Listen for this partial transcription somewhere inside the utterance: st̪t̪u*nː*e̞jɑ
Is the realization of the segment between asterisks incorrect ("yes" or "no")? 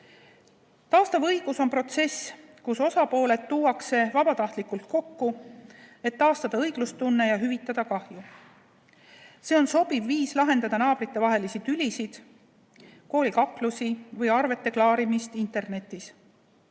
no